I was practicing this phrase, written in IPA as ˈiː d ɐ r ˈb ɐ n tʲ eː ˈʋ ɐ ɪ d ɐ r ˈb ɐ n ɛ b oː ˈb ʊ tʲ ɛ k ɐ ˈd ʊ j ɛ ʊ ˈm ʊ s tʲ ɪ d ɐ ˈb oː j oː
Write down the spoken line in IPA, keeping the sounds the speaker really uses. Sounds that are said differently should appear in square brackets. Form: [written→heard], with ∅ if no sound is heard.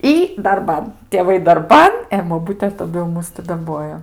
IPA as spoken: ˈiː d ɐ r ˈb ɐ n tʲ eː ˈʋ ɐ ɪ d ɐ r ˈb ɐ n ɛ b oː ˈb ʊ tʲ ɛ [k→t] ɐ ˈd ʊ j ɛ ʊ ˈm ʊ s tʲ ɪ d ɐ ˈb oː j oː